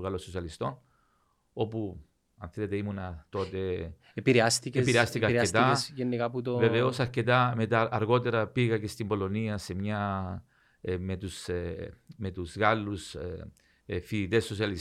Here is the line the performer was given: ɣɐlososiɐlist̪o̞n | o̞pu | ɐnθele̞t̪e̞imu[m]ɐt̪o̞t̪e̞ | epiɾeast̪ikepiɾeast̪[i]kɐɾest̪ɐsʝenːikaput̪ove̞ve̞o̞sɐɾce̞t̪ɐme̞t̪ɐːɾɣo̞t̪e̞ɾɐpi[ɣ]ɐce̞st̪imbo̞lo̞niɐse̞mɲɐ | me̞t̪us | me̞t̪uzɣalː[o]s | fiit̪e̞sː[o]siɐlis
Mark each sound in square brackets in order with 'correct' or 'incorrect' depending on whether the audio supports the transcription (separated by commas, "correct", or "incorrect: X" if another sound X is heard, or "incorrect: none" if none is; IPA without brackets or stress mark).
incorrect: n, correct, correct, incorrect: u, correct